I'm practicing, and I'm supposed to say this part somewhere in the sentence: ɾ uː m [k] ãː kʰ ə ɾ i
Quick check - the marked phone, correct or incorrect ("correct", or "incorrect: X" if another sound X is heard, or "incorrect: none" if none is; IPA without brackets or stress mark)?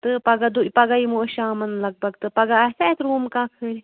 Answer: correct